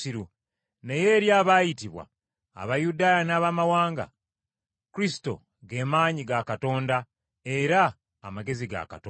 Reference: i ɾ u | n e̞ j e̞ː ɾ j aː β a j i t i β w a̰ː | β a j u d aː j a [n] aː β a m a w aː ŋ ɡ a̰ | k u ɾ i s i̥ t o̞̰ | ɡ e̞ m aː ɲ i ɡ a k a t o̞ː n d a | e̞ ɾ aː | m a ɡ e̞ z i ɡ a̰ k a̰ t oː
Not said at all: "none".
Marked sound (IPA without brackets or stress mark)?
n